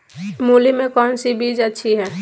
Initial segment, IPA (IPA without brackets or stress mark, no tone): m